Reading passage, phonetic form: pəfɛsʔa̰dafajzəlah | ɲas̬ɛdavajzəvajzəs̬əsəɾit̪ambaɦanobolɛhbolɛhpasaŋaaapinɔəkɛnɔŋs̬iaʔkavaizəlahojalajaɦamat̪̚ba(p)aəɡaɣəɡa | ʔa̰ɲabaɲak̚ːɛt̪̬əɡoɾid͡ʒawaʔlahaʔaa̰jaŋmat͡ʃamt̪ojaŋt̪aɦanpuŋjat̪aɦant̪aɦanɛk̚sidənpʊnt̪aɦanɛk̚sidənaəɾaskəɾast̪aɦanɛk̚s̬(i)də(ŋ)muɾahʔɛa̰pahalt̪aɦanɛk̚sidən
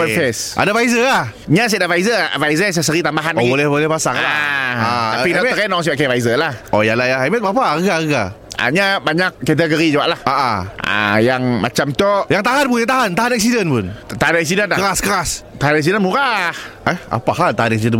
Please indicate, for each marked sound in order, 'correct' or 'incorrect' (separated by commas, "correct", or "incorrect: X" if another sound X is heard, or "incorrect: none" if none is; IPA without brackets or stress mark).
correct, correct, incorrect: n